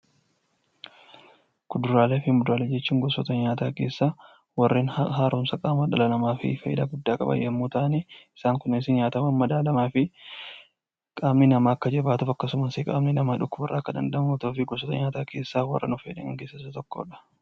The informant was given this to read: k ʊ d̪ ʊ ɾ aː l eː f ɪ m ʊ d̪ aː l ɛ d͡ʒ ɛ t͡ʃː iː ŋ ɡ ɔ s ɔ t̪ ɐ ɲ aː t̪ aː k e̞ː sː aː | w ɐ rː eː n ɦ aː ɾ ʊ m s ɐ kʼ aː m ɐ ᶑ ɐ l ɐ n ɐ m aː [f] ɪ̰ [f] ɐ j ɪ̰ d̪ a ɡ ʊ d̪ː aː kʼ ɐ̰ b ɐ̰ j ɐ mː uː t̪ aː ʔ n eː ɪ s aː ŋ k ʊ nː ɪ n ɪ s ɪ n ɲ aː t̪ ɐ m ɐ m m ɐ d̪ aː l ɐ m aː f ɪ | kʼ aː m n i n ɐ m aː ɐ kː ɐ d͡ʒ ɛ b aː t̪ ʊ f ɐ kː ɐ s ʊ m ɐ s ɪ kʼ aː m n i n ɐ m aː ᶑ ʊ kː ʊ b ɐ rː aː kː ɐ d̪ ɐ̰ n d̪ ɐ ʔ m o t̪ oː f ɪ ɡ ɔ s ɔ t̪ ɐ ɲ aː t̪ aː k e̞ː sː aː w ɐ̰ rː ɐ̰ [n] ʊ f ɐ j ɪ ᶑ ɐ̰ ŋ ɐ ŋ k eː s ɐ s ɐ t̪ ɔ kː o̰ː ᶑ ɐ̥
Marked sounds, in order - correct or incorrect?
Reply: correct, correct, correct

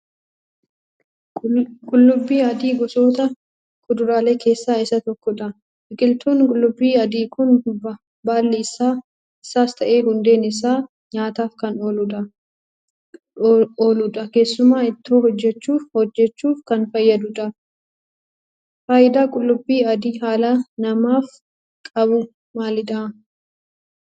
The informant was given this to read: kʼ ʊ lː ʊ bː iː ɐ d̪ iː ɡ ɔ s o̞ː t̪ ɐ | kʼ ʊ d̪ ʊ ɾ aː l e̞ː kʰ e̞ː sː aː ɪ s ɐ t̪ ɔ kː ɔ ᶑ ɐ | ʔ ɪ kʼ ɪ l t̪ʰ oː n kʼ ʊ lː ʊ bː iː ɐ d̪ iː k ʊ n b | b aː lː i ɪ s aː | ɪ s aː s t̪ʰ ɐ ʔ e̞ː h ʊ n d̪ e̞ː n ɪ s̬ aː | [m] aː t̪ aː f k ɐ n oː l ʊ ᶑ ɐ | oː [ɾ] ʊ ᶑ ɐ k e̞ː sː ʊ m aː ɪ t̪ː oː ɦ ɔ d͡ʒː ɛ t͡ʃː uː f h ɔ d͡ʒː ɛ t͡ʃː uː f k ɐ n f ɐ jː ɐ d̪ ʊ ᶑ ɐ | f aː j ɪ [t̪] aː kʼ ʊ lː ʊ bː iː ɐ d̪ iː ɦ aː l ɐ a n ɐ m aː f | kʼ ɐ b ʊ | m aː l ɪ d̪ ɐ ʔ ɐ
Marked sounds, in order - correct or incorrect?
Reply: incorrect: ɲ, incorrect: l, incorrect: d̪

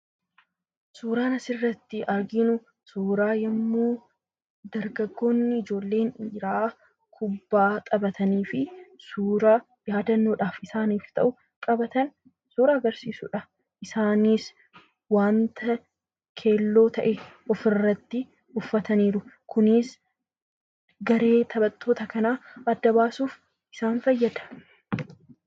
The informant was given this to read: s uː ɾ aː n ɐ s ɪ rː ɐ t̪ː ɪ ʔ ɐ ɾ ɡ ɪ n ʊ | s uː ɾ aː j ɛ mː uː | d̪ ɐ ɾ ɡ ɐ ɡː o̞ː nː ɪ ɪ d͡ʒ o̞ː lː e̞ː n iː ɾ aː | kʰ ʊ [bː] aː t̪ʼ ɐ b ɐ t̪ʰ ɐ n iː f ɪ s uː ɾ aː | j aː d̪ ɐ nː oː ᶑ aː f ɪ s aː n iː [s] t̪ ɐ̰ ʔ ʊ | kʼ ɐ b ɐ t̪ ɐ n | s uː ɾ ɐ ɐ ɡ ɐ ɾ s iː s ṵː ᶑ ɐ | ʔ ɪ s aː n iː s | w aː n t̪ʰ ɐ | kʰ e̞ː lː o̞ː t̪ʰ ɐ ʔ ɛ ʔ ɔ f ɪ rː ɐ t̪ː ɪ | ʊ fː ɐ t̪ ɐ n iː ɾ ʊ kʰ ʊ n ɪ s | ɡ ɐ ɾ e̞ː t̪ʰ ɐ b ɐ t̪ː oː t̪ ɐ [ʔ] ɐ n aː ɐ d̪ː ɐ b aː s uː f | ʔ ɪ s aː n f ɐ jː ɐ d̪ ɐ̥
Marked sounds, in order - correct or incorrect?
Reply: correct, incorrect: f, incorrect: k

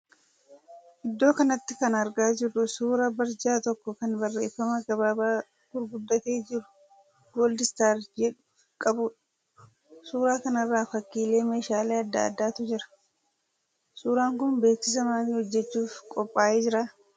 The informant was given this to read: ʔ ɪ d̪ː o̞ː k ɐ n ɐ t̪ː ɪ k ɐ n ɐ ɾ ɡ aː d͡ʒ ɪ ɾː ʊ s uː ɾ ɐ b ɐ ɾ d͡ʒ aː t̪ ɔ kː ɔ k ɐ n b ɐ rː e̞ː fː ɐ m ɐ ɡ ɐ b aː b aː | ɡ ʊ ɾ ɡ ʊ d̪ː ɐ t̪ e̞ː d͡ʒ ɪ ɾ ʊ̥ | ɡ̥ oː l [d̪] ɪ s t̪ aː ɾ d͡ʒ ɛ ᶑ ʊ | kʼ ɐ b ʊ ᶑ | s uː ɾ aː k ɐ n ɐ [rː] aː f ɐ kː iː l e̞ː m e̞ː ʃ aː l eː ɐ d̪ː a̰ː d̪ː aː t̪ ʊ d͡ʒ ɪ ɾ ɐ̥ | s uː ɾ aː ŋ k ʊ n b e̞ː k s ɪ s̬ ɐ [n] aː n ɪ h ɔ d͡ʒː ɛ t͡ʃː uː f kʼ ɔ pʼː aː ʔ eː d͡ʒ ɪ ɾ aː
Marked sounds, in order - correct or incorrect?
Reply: correct, correct, incorrect: m

